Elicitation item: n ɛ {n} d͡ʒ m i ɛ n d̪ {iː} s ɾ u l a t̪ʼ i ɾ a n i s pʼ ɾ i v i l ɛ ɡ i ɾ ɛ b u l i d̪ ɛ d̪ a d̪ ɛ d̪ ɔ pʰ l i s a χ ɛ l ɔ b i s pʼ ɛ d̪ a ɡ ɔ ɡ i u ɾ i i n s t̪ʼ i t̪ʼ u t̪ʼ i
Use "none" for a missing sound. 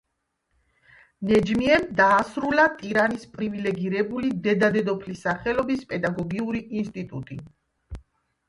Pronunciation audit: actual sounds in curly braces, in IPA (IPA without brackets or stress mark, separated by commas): none, aː